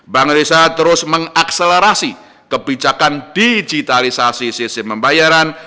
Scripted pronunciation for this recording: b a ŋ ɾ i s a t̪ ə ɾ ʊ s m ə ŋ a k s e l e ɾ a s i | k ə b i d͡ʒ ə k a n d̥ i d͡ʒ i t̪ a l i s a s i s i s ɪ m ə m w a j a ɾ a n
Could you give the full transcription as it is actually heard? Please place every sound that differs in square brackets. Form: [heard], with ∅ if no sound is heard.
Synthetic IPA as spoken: b a ŋ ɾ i s a t̪ ə ɾ ʊ s m ə ŋ a k s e l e ɾ a s i | k ə b i d͡ʒ [a] k a n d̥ i d͡ʒ i t̪ a l i s a s i s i s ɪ m ə m [b] a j a ɾ a n